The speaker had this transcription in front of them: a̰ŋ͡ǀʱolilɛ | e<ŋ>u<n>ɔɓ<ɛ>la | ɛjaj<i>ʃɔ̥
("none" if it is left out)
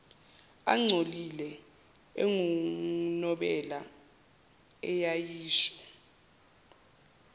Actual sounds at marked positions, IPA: ŋ, n, ɛ, iː

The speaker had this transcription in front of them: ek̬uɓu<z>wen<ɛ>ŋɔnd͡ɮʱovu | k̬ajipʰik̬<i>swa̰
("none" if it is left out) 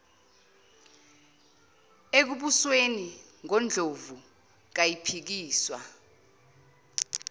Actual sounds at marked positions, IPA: s, i, iː

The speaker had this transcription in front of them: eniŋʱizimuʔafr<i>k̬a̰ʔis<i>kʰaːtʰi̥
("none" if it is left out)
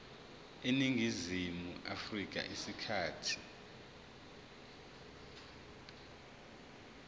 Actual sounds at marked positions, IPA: i, i

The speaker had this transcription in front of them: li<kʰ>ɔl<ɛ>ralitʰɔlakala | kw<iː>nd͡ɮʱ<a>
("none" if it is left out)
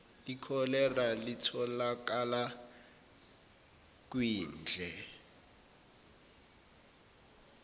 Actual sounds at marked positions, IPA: kʰ, ɛ, iː, ɛ

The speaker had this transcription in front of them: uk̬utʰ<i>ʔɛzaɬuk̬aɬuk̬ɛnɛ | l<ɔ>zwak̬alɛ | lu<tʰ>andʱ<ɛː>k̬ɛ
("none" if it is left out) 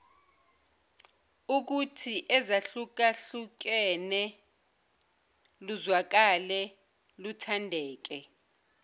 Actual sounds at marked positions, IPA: i, u, tʰ, ɛː

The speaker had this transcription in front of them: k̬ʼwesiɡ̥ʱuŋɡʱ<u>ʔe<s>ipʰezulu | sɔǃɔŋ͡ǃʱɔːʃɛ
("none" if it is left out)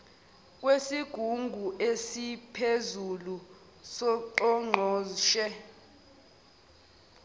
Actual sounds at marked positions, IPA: u, s

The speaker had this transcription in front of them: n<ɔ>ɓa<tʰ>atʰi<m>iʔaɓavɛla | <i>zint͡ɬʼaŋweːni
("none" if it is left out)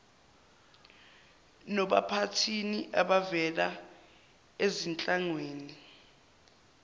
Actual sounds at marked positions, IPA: ɔ, pʰ, n, e

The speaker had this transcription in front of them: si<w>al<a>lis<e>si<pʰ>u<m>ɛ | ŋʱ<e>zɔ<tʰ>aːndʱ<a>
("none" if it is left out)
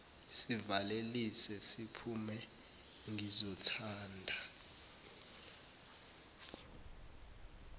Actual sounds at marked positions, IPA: v, e, ɛ, pʰ, m, i, tʰ, a

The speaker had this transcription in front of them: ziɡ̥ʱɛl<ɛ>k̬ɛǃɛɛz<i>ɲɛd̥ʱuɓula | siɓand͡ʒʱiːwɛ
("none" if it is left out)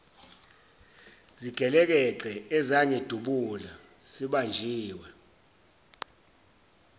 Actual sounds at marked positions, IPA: ɛ, a

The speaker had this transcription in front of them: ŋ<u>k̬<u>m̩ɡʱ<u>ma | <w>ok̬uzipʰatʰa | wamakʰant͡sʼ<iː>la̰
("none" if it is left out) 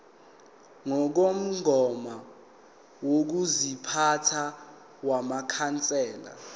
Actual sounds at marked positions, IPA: ɔ, o, ɔ, w, ɛː

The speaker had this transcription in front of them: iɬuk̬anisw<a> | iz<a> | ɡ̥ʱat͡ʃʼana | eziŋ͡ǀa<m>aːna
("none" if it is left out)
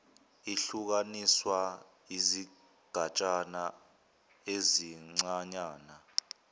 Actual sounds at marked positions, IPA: a, i, ɲ

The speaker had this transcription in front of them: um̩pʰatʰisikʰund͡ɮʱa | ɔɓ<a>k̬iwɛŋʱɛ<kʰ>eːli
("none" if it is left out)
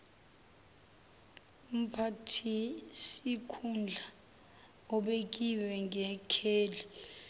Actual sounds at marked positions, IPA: e, kʰ

